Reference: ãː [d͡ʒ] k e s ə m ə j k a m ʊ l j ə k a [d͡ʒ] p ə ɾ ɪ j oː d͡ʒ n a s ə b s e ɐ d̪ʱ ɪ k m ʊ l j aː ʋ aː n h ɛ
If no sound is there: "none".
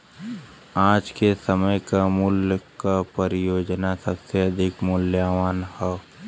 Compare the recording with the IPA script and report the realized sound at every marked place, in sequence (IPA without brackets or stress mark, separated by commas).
d͡ʒ, none